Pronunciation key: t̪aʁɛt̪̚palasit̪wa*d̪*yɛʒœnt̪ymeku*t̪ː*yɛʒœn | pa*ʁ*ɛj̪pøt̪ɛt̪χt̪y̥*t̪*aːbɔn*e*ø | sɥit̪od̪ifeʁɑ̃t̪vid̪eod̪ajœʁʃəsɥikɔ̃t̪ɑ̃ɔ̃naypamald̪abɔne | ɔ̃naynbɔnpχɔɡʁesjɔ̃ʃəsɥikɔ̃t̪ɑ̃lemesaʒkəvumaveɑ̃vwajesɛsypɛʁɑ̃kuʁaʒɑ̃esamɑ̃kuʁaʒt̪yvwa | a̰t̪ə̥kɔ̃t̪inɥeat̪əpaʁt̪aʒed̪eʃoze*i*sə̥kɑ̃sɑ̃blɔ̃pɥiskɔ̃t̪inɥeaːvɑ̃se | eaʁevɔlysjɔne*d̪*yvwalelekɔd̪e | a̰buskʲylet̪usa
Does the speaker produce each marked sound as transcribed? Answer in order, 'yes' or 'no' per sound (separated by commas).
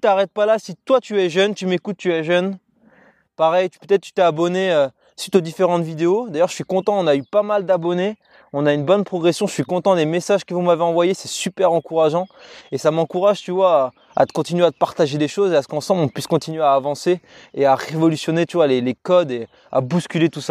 no, yes, yes, yes, yes, no, no